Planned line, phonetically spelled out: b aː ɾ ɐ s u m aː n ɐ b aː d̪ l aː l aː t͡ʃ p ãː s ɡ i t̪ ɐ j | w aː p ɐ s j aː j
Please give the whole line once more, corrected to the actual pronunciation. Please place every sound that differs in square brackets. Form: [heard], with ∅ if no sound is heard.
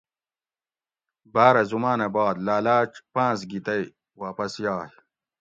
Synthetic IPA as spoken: b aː ɾ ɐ [z] u m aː n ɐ b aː d̪ l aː l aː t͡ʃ p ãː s ɡ i t̪ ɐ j | w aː p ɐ s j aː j